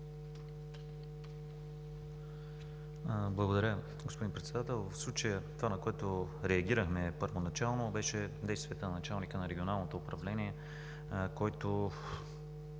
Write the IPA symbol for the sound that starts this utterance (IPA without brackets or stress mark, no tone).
b